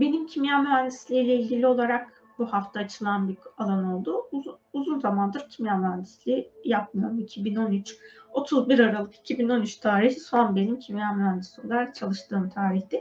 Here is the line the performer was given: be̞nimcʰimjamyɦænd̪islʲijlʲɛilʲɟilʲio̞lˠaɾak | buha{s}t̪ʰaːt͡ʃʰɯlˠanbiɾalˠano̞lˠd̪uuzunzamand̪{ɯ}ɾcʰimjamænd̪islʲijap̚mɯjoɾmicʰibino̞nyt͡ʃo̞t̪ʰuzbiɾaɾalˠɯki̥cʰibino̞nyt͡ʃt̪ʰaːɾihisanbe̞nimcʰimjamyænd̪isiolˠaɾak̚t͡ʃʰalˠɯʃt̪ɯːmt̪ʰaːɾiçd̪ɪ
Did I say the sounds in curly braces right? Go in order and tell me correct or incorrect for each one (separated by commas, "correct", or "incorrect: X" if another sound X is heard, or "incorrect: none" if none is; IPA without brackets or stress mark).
incorrect: f, correct